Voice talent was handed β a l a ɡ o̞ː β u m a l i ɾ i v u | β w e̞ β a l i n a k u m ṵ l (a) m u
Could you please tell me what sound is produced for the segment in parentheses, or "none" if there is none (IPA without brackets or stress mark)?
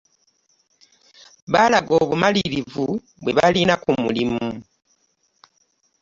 i